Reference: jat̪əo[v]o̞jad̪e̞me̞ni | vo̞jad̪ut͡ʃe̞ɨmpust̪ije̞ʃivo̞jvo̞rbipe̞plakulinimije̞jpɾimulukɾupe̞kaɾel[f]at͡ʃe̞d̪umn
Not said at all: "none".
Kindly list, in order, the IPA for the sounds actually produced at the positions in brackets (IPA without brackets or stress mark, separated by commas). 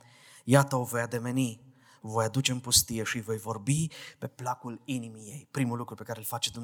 v, f